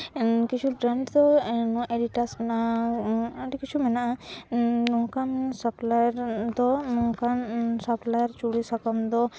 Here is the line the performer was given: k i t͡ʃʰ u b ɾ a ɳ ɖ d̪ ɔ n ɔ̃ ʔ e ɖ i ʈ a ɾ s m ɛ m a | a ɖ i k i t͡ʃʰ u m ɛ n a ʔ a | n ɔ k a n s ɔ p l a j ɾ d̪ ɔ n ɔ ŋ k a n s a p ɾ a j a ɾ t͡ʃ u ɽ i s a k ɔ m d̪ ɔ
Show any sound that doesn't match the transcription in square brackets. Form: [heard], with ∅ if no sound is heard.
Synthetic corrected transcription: k i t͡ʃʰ u b ɾ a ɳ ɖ d̪ ɔ n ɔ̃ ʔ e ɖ i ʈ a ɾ s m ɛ [n] a | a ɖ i k i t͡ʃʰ u m ɛ n a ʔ a | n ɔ k a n s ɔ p l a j ɾ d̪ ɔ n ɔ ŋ k a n s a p [l] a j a ɾ t͡ʃ u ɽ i s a k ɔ m d̪ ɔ